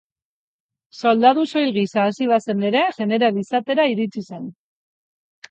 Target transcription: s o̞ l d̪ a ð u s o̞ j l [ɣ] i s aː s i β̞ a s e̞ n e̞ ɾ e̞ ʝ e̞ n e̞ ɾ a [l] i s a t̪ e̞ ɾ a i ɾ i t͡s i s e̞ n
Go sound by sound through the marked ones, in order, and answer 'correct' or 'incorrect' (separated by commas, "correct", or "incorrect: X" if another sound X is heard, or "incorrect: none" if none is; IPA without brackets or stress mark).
correct, correct